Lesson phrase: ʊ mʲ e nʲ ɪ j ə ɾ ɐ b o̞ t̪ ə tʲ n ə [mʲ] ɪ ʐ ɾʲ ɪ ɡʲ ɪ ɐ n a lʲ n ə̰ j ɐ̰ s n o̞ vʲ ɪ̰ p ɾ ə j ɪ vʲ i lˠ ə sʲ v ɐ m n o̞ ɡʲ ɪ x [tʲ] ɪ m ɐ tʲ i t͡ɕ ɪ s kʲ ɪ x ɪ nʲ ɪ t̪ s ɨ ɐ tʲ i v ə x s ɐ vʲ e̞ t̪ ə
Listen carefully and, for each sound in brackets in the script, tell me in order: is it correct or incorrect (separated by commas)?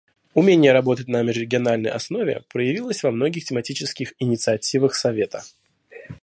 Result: correct, correct